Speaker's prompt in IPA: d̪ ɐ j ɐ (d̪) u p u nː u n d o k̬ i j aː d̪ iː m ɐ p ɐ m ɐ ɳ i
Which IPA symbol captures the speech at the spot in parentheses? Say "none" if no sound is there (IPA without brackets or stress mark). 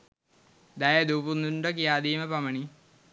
d̪